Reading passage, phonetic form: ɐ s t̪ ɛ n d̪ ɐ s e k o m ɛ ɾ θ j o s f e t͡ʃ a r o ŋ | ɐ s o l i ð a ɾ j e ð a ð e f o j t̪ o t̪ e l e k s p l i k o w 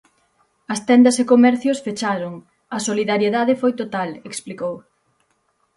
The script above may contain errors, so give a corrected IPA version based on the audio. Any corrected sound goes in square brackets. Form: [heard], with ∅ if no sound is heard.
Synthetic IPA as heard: ɐ s t̪ ɛ n d̪ ɐ s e k o m ɛ ɾ θ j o s f e t͡ʃ a [ɾ] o ŋ | ɐ s o l i ð a ɾ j e ð a ð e f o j t̪ o t̪ [a] l e k s p l i k o w

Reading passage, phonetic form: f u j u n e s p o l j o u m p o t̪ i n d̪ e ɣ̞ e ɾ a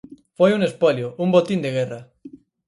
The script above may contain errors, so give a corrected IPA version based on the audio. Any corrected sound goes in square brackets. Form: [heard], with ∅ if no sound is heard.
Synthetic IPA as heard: f [o] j u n e s p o l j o u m [b] o t̪ i n d̪ e ɣ̞ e [r] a

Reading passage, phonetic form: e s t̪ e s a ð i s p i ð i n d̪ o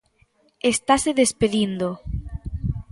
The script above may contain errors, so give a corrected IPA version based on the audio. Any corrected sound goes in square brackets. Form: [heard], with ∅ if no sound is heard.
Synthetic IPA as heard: e s t̪ [a] s [e] ð [e] s p [e] ð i n d̪ o

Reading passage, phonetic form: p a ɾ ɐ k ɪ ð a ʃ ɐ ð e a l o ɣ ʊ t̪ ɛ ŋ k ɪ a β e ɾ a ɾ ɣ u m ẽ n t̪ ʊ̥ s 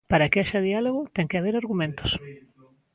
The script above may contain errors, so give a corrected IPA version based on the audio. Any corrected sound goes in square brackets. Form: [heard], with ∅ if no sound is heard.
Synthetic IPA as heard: p a ɾ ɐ k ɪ [∅] a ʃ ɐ ð [i] a l o ɣ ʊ t̪ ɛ ŋ k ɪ a β e ɾ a ɾ ɣ u m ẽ n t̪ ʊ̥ s

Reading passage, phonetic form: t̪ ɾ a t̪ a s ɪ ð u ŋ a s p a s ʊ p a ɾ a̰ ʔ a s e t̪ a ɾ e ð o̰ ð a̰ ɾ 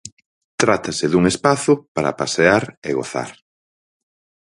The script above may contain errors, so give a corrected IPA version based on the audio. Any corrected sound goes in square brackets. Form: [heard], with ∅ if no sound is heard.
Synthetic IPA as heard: t̪ ɾ a t̪ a s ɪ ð u ŋ [e] s p a [θ] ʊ p a ɾ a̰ [p] a s e [∅] a ɾ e [ɣ] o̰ [θ] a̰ ɾ

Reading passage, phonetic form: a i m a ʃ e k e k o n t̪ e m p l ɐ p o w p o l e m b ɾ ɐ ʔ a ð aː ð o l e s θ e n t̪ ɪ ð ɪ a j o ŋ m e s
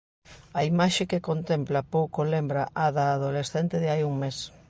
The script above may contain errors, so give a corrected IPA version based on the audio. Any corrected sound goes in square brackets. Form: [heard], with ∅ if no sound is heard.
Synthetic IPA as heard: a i m a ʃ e k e k o n t̪ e m p l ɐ p o w [k] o l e m b ɾ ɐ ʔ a ð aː ð o l e s θ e n t̪ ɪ ð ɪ a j [u] ŋ m e s

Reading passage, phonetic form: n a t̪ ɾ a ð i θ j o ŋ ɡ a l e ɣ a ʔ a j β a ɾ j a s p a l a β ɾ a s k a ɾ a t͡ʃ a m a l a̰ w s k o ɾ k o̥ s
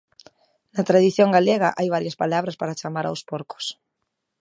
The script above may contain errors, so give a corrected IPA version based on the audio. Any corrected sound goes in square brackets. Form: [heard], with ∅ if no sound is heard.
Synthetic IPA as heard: n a t̪ ɾ a ð i θ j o ŋ ɡ a l e ɣ a ʔ a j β a ɾ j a s p a l a β ɾ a s [p] a ɾ a t͡ʃ a m a [ɾ] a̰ w s [p] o ɾ k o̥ s

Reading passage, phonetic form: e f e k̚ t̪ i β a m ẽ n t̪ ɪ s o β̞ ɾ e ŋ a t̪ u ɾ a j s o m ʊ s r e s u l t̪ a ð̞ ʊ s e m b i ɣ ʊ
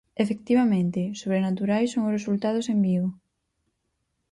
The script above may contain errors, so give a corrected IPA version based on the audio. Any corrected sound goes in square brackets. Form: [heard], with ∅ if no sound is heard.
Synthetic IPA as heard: e f e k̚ t̪ i β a m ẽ n t̪ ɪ s o β̞ ɾ e [n] a t̪ u ɾ a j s o [ŋ] ʊ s r e s u l t̪ a ð̞ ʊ s e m b i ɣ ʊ

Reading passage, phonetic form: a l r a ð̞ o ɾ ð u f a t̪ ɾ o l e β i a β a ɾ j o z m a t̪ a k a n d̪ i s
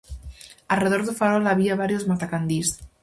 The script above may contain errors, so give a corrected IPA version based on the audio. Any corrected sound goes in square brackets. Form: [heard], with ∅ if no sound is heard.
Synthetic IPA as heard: a l r [e] ð̞ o ɾ ð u f a [∅] ɾ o l [a] β i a β a ɾ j o z m a t̪ a k a n d̪ i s

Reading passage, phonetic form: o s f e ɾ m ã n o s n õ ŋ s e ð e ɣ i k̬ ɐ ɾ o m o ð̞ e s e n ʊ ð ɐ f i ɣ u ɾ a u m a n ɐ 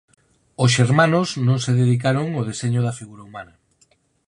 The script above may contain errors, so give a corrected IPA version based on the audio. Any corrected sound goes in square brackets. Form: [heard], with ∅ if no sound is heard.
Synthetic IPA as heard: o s [ʃ] e ɾ m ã n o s n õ ŋ s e ð e [ð] i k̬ [a] ɾ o [ŋ] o ð̞ e s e [ɲ] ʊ ð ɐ f i ɣ u ɾ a u m a n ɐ

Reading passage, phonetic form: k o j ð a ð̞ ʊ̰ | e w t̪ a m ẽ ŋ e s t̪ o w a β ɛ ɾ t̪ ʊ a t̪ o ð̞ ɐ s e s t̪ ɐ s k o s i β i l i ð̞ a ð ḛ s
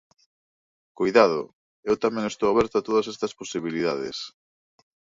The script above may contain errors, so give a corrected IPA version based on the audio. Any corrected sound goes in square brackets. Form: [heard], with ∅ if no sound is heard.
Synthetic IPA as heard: k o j ð a ð̞ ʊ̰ | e w t̪ a m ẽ ŋ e s t̪ o w a β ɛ ɾ t̪ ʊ a t̪ o ð̞ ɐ s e s t̪ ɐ s [p] o s i β i l i ð̞ a ð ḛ s

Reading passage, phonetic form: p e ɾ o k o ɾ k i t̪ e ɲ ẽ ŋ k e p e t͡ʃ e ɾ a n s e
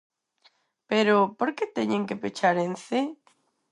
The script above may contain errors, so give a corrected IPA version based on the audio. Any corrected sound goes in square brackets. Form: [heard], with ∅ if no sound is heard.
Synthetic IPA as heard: p e ɾ o [p] o ɾ k [e] t̪ e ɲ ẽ ŋ k e p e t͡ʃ [a] ɾ [e] n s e

